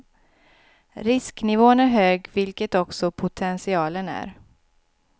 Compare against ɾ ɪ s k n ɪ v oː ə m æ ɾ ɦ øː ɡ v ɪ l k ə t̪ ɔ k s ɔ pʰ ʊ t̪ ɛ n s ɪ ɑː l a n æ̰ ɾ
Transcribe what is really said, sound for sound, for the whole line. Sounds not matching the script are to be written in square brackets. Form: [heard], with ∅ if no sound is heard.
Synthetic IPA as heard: ɾ ɪ s k n ɪ v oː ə [n] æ ɾ ɦ øː ɡ v ɪ l k ə t̪ ɔ k s ɔ pʰ ʊ [t̪ʰ] ɛ n s ɪ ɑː l [ə] n æ̰ ɾ